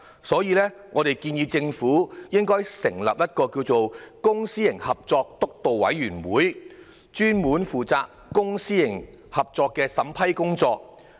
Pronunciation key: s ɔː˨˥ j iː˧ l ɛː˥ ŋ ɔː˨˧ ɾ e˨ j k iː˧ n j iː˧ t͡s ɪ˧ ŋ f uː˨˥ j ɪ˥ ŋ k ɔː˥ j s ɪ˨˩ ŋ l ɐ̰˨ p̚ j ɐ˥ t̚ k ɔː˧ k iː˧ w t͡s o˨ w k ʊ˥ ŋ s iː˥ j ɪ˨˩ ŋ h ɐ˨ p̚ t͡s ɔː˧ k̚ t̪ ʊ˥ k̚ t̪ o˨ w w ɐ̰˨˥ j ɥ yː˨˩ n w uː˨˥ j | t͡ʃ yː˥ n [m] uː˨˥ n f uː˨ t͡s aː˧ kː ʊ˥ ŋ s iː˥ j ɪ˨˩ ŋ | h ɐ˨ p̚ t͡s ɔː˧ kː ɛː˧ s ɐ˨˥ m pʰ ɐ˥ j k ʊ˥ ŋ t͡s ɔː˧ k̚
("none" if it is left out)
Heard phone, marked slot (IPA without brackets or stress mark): m